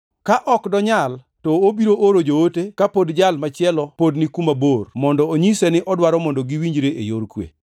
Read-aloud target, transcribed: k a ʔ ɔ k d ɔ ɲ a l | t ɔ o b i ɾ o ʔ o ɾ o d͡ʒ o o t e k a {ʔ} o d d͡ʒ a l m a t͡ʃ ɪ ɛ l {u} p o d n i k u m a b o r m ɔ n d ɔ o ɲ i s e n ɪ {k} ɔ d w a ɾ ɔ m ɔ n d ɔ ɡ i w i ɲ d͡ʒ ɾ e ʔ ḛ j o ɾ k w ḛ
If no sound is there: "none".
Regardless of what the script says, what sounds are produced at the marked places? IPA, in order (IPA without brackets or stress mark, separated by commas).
p, ɔ, ʔ